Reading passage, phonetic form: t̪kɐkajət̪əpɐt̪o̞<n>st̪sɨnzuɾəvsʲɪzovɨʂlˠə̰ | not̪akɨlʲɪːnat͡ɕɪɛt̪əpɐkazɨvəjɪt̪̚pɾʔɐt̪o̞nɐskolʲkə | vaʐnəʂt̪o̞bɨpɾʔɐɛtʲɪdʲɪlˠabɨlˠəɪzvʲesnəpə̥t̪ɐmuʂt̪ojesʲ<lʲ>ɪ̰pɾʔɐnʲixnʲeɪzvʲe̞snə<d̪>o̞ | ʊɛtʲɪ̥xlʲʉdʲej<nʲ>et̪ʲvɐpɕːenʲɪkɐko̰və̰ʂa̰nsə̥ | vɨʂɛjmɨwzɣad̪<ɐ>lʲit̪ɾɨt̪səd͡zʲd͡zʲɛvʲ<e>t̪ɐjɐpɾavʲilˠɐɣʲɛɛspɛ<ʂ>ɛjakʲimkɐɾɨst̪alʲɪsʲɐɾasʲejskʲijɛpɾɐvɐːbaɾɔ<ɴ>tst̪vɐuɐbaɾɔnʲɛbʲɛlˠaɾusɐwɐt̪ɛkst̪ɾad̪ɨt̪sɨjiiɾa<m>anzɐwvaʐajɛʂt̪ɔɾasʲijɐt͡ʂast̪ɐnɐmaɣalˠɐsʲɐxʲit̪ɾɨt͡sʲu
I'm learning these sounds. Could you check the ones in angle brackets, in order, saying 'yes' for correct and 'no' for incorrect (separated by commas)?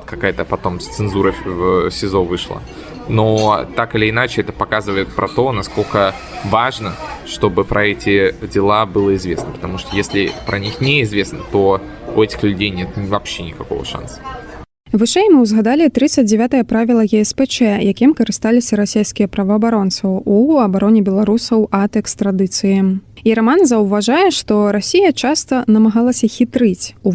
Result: no, yes, no, yes, no, no, no, no, yes